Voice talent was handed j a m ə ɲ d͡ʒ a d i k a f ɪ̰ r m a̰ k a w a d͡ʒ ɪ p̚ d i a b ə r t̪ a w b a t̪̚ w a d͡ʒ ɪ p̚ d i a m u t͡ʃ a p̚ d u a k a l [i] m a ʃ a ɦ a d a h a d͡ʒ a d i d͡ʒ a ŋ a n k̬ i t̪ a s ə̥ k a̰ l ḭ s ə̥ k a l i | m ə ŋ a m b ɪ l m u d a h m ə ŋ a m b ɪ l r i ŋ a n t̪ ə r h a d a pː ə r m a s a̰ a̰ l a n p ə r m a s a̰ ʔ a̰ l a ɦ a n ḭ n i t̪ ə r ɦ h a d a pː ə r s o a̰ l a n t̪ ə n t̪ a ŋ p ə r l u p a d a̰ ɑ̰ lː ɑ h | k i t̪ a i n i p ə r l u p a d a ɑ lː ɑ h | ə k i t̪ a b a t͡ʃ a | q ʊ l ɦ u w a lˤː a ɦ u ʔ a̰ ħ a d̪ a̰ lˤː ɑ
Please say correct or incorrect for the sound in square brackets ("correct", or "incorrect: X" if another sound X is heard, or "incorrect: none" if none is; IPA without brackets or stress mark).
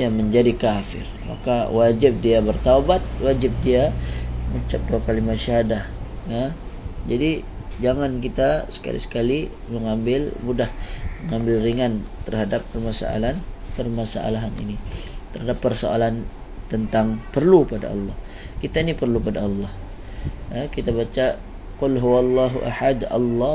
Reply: correct